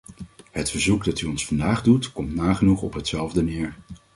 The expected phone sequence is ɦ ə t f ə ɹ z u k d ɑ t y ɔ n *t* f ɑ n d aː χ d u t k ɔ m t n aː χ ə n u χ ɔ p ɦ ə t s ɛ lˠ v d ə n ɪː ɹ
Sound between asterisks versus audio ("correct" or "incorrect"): incorrect